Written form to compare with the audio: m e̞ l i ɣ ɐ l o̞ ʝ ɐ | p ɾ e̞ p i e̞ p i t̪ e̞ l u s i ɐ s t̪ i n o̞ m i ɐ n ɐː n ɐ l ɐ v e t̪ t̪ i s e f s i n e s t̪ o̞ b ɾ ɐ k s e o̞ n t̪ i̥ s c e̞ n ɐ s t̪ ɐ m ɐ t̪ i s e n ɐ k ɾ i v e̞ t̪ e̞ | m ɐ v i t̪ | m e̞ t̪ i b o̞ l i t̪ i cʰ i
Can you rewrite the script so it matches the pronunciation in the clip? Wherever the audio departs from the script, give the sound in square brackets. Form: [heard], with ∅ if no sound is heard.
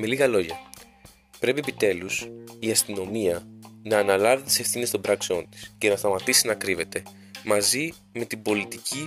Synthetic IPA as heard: m e̞ l i ɣ ɐ l o̞ ʝ ɐ | p ɾ e̞ p i e̞ p i t̪ e̞ l u s i ɐ s t̪ i n o̞ m i ɐ n ɐː n ɐ l ɐ v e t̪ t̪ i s e f [θ] i n e s t̪ o̞ b ɾ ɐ k s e o̞ n t̪ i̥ s c e̞ n ɐ s t̪ ɐ m ɐ t̪ i s [i] n ɐ k ɾ i v e̞ t̪ e̞ | m ɐ [z] i [∅] | m e̞ t̪ i b o̞ l i t̪ i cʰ i